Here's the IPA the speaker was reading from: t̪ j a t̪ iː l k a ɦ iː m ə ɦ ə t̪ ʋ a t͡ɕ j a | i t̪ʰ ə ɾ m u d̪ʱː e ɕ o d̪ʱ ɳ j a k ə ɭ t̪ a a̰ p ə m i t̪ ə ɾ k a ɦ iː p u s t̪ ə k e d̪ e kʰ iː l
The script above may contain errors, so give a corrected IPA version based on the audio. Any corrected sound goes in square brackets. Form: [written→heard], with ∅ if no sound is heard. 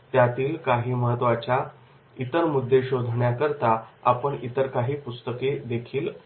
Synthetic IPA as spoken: t̪ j a t̪ iː l k a ɦ iː m ə ɦ ə t̪ ʋ a t͡ɕ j a | i [t̪ʰ→t̪] ə ɾ m u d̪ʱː e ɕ o d̪ʱ ɳ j a k ə [ɭ→ɾ] t̪ a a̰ p ə [m→ɳ] i t̪ ə ɾ k a ɦ iː p u s t̪ ə k e d̪ e kʰ iː l

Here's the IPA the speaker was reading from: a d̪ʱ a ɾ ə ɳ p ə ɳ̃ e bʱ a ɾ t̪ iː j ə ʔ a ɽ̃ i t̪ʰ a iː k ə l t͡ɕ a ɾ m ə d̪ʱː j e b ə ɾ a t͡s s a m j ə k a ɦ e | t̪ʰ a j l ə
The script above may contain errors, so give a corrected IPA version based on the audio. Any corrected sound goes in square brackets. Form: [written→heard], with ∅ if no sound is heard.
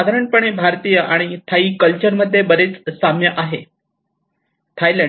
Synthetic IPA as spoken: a d̪ʱ a ɾ ə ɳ p ə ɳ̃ e bʱ a ɾ t̪ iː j ə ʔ a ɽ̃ i t̪ʰ a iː k ə l t͡ɕ [a→ə] ɾ m ə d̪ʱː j e b ə ɾ [a→e] t͡s s a m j ə [k→ʔ] a ɦ e | t̪ʰ a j l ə

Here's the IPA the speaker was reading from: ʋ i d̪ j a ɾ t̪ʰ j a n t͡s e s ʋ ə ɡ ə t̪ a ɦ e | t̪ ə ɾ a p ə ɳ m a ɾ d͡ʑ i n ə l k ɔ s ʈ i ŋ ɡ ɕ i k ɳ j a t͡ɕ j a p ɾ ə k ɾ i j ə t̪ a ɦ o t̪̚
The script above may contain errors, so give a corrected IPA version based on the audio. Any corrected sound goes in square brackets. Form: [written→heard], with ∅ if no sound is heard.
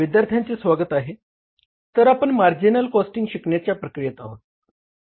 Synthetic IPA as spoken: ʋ i d̪ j a ɾ t̪ʰ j a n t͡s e s ʋ [ə→a] ɡ ə t̪ a ɦ e | t̪ ə ɾ a p ə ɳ m a ɾ d͡ʑ i n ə l k ɔ s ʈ i ŋ ɡ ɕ i k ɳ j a t͡ɕ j a p ɾ ə k ɾ i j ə t̪ a ɦ o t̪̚

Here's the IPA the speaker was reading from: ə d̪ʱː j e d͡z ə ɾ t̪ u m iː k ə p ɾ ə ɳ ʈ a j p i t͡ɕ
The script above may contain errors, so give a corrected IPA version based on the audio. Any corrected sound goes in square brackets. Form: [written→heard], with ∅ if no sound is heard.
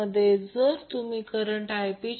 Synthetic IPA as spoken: ə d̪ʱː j e d͡z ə ɾ t̪ u m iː k ə [p→∅] ɾ ə ɳ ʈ a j p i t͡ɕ

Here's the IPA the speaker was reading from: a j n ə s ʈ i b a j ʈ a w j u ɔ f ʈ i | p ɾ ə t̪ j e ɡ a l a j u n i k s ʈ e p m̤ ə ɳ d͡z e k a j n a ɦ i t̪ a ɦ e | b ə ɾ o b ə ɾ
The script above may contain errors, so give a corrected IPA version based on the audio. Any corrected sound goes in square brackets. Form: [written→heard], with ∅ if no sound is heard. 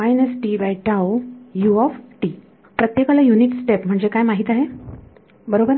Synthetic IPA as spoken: a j n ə s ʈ i b a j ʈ a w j u ɔ f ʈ i | p ɾ ə t̪ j e [ɡ→k] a l a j u n i k s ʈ e p m̤ ə ɳ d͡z e k a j [n→m] a ɦ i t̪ a ɦ e | b ə ɾ o b ə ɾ

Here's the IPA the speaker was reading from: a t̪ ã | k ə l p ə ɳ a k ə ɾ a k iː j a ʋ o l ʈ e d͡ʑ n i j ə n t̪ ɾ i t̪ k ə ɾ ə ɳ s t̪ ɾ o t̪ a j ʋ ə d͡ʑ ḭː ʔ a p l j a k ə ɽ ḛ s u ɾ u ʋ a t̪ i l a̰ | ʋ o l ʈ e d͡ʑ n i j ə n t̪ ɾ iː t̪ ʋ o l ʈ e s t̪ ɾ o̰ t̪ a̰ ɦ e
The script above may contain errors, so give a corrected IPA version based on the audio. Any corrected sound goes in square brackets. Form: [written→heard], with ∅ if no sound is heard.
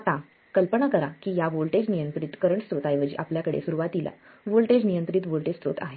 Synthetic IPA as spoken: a t̪ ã | k ə l p ə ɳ a k ə ɾ a k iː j a ʋ o l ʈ e d͡ʑ n i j ə n t̪ ɾ i t̪ k ə ɾ ə ɳ s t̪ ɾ o t̪ a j ʋ ə d͡ʑ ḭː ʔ a p l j a k ə ɽ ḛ s u ɾ u ʋ a t̪ i l a̰ | ʋ o l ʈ e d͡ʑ n i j ə n t̪ ɾ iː t̪ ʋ o l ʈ e s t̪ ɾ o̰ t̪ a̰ ɦ e

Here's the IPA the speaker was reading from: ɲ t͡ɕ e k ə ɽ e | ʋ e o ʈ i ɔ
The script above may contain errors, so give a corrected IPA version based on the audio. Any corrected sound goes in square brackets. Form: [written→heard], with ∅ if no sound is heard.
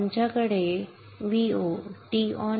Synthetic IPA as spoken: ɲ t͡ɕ [e→a] k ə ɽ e | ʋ [e→i] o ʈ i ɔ

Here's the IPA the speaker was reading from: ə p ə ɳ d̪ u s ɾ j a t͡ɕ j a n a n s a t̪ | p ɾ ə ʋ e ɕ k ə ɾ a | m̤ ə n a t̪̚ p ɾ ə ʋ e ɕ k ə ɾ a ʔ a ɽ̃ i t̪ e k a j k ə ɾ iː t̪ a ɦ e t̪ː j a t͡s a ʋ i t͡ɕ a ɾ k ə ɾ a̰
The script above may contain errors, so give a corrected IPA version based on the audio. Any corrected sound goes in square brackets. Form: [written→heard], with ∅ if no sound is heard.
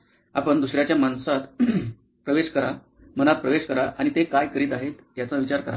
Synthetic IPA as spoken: [ə→a] p ə ɳ d̪ u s ɾ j a t͡ɕ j a [n→m] a n s a t̪ | p ɾ ə ʋ e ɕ k ə ɾ a | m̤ ə n a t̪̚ p ɾ ə ʋ e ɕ k ə ɾ a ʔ a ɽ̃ i t̪ e k a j k ə ɾ iː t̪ a ɦ e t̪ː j a t͡s a ʋ i t͡ɕ a ɾ k ə ɾ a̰

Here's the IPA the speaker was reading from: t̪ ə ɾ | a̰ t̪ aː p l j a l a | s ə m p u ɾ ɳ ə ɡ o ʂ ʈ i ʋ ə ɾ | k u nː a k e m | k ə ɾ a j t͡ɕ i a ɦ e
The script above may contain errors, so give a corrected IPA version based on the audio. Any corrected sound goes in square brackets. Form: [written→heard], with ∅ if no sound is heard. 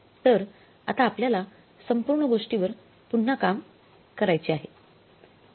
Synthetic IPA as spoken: t̪ ə ɾ | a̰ t̪ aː p l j a l a | s ə m p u ɾ ɳ ə ɡ o ʂ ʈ i ʋ ə ɾ | [k→p] u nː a k [e→a] m | k ə ɾ a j t͡ɕ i a ɦ e

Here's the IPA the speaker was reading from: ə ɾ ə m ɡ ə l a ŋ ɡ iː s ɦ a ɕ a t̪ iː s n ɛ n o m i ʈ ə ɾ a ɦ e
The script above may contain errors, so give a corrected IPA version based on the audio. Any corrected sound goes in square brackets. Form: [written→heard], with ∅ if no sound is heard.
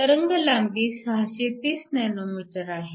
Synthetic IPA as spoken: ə ɾ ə [m→ŋ] ɡ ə l a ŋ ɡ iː s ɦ a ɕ [a→e] t̪ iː s n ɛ n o m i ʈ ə ɾ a ɦ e

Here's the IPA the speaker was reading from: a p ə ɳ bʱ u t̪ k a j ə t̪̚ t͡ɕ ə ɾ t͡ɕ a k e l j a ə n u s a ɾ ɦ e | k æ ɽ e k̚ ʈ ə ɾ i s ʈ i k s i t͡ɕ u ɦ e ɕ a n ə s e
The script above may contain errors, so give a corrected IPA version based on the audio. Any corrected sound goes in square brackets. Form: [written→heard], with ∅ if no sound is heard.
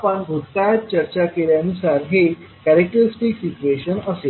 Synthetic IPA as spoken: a p ə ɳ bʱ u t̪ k a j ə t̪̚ t͡ɕ ə ɾ t͡ɕ a k e l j a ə n u s a ɾ ɦ e | k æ [ɽ→ɾ] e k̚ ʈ ə ɾ i s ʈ i k s i t͡ɕ u [ɦ→∅] e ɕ [a→ə] n ə s e

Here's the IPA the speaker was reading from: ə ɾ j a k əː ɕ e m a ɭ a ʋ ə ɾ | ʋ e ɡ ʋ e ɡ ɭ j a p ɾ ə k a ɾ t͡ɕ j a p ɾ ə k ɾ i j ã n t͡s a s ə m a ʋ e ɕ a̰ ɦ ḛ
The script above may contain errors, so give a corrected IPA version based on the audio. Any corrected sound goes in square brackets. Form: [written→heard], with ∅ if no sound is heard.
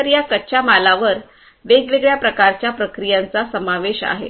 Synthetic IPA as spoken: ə ɾ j a k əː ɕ [e→a] m a [ɭ→l] a ʋ ə ɾ | ʋ e ɡ ʋ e ɡ ɭ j a p ɾ ə k a ɾ t͡ɕ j a p ɾ ə k ɾ i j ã n t͡s a s ə m a ʋ e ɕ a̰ ɦ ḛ

